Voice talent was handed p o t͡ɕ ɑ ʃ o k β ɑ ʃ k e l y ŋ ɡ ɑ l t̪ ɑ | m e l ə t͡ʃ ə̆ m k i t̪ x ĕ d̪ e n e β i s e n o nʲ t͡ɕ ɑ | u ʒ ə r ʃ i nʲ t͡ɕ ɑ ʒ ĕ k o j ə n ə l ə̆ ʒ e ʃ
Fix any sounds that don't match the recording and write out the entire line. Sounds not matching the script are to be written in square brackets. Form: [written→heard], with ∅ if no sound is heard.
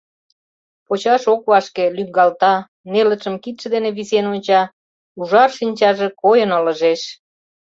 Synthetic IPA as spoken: p o t͡ɕ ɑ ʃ o k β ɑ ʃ k e l y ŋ ɡ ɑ l t̪ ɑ | [m→n] e l ə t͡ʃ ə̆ m k i t̪ [x→ʃ] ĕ d̪ e n e β i s e n o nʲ t͡ɕ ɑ | u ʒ [ə→ɑ] r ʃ i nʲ t͡ɕ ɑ ʒ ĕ k o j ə n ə l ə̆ ʒ e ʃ